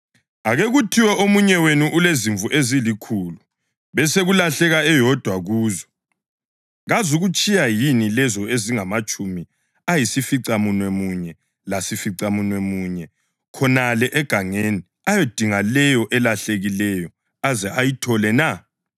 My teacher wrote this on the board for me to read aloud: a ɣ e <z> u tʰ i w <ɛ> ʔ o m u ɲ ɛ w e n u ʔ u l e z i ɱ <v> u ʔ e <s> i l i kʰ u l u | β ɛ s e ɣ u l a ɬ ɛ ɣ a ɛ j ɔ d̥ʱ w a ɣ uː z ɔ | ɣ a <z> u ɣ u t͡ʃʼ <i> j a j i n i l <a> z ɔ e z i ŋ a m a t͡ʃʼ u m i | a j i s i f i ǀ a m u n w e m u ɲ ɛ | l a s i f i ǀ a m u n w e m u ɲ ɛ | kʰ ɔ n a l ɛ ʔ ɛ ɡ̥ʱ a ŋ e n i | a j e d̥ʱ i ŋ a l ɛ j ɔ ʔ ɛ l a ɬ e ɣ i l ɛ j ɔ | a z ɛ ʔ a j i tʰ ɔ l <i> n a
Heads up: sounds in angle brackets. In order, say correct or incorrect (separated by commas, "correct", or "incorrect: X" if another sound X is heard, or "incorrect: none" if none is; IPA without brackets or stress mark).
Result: incorrect: ɣ, correct, correct, incorrect: z, correct, correct, incorrect: ɛ, incorrect: ɛ